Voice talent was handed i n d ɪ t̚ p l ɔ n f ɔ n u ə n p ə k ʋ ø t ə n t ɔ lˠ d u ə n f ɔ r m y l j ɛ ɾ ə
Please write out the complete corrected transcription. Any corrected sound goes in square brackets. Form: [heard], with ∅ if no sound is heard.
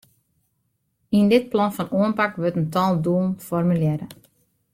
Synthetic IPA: i n d ɪ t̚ p l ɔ n f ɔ n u ə n p [a] k ʋ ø t ə n t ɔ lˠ d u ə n f ɔ r m y l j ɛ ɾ ə